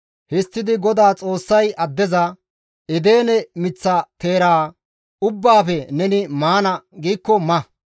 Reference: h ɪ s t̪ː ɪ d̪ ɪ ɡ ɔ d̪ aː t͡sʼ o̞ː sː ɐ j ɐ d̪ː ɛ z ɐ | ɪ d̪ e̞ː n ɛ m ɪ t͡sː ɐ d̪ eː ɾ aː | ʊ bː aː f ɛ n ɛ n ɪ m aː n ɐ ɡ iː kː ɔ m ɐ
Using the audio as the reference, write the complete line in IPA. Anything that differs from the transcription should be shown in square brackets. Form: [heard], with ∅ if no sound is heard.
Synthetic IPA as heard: h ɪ s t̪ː ɪ d̪ ɪ ɡ ɔ d̪ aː t͡sʼ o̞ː sː ɐ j ɐ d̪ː ɛ z ɐ | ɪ d̪ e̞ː n ɛ m ɪ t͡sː ɐ [t̪] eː ɾ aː | ʊ bː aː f ɛ n ɛ n ɪ m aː n ɐ ɡ iː kː ɔ m ɐ